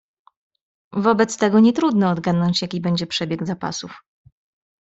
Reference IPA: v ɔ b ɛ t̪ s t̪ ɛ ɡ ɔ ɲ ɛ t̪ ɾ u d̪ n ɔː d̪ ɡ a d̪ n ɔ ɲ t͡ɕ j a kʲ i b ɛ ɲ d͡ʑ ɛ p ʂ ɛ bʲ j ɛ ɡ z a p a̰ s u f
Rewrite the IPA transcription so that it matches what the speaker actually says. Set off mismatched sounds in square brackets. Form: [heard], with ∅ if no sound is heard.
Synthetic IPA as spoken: v ɔ b ɛ t̪ s t̪ ɛ ɡ ɔ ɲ ɛ t̪ ɾ u d̪ n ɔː d̪ ɡ a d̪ n ɔ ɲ t͡ɕ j a kʲ i b ɛ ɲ d͡ʑ ɛ p ʂ ɛ bʲ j ɛ ɡ z a p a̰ s u f